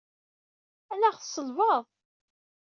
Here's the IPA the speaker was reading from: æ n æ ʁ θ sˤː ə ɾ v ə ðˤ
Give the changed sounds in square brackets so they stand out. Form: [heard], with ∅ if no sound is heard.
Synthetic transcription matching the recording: æ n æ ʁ θ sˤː ə [l] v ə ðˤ